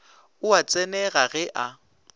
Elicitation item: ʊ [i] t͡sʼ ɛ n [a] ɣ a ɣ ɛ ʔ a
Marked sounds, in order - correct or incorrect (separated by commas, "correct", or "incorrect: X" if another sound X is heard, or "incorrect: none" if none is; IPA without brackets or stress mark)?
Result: incorrect: a, incorrect: ɛ